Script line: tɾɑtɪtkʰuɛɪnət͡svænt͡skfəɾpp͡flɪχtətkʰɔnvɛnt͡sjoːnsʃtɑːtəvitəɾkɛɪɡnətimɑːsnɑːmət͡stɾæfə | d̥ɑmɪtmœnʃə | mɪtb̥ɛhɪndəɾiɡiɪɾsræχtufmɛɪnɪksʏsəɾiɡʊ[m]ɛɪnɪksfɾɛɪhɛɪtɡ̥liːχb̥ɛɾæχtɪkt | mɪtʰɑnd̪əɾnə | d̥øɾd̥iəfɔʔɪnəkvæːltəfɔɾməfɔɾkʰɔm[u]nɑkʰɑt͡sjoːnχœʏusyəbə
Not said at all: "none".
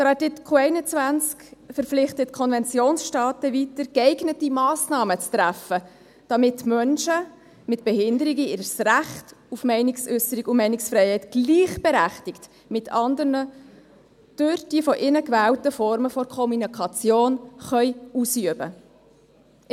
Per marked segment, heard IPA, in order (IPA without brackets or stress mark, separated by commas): m, u